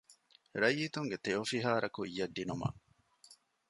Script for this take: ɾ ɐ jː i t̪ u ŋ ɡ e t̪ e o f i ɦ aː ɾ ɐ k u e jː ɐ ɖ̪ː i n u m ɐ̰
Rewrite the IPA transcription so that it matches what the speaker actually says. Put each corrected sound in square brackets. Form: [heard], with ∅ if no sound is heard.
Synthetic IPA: ɾ ɐ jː i t̪ u ŋ ɡ e t̪ e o f i ɦ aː ɾ ɐ k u [i] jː ɐ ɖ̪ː i n u m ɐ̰